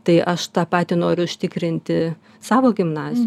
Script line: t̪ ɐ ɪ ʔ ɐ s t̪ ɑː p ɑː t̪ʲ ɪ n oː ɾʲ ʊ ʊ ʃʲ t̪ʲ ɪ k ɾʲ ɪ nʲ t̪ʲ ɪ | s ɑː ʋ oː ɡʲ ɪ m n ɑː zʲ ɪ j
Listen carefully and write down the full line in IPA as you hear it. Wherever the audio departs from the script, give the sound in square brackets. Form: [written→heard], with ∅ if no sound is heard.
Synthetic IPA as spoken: t̪ ɐ ɪ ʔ ɐ [s→ʃ] t̪ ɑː p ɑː t̪ʲ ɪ n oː ɾʲ ʊ ʊ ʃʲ t̪ʲ ɪ k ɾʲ ɪ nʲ t̪ʲ ɪ | s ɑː ʋ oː ɡʲ ɪ m n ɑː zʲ ɪ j